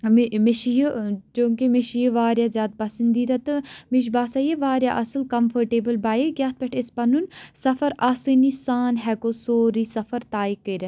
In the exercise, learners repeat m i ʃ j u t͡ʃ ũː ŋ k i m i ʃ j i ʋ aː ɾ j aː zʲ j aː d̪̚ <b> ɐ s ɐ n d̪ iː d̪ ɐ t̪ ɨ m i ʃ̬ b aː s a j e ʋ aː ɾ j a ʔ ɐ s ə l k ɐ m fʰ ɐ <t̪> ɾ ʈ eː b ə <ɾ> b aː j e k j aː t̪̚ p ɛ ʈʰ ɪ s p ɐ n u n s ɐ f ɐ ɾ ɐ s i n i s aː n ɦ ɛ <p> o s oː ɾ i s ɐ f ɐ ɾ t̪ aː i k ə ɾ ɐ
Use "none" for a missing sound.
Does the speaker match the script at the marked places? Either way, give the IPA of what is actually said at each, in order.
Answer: p, none, l, k

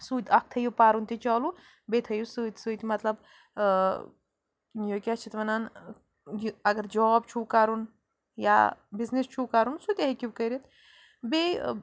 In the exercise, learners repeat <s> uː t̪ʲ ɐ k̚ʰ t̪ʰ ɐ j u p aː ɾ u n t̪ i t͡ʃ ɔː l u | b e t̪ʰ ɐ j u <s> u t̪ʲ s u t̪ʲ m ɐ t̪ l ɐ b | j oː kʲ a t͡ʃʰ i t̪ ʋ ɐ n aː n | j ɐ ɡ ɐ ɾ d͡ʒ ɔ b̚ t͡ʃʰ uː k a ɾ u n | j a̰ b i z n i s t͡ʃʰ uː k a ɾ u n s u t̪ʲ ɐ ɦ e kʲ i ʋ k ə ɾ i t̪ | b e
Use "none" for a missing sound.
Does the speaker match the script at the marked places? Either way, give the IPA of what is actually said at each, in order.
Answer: s, s

